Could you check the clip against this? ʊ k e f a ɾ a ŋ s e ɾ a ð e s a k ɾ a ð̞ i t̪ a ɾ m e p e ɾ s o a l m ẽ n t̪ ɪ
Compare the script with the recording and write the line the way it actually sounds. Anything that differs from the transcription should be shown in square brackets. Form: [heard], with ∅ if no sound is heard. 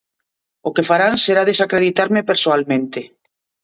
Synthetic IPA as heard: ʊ k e f a ɾ a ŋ s e ɾ a ð e s a k ɾ [e] ð̞ i t̪ a ɾ m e p e ɾ s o a l m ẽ n t̪ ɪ